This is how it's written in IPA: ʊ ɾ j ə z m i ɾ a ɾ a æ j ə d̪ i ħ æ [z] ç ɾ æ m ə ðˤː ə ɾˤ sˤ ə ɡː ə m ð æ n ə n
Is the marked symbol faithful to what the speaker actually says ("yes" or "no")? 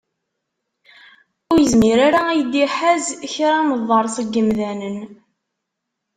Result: yes